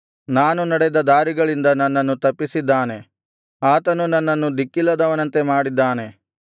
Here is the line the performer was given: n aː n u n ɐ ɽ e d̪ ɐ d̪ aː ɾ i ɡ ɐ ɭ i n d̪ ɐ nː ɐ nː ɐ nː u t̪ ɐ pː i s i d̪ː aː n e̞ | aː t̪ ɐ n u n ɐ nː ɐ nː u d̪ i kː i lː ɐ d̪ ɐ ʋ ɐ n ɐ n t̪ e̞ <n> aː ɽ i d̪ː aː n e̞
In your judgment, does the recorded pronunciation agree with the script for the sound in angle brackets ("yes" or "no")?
no